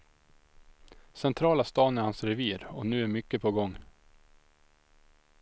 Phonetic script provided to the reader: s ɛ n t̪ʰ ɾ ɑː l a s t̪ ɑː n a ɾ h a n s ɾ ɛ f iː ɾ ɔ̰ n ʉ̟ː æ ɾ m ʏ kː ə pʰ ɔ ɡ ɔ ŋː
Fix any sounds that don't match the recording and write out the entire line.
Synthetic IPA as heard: s ɛ n t̪ʰ ɾ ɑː l a s t̪ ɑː n æ ɾ h a n s ɾ ɛ v iː ɾ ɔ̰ n ʉ̟ː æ ɾ m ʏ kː ə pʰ ɔ ɡ ɔ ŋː